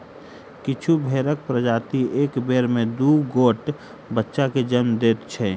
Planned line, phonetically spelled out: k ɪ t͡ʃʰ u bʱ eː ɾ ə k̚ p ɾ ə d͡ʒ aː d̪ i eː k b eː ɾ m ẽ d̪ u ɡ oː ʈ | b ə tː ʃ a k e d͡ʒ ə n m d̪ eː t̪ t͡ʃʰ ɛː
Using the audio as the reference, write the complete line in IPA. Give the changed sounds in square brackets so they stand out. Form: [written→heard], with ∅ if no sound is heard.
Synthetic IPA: k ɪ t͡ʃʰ u bʱ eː ɾ ə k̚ p ɾ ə d͡ʒ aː [d̪→t̪] i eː k b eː ɾ m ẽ d̪ u ɡ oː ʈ | b ə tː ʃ a k e d͡ʒ ə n m d̪ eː t̪ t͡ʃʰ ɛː